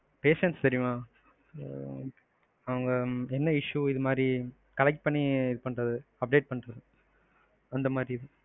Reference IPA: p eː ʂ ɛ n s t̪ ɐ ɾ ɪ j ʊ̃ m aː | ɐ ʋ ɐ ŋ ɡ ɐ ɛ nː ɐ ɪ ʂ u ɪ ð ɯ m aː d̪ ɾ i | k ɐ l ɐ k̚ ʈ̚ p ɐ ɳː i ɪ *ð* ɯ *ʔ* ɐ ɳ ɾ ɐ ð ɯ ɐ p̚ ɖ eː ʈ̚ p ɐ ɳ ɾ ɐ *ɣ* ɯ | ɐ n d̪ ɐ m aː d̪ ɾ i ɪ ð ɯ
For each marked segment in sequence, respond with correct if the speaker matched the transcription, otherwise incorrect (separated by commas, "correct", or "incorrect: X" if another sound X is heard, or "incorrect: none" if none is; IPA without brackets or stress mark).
correct, incorrect: p, incorrect: ð